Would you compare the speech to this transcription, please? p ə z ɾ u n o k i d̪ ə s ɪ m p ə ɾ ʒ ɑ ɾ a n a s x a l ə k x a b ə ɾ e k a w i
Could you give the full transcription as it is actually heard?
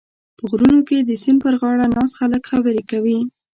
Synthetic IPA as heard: p ə ɣ ɾ u n o k e d̪ ə s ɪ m p ə ɾ ɣ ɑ ɽ a n ɑ s x a l ə k x a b ə ɾ e k a w i